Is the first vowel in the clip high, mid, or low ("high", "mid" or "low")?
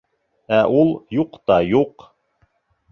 low